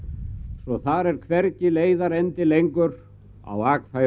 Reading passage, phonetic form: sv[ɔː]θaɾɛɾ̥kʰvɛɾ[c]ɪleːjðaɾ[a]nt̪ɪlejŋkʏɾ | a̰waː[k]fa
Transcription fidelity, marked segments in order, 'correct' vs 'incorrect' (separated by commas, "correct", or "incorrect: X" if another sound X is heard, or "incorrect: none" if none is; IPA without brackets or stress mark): incorrect: ɔ, correct, incorrect: ɛ, correct